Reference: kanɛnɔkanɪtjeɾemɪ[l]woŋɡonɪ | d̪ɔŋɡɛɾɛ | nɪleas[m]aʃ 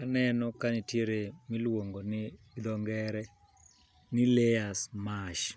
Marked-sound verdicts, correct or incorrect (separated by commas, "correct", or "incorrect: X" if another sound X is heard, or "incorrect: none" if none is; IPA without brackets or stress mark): correct, correct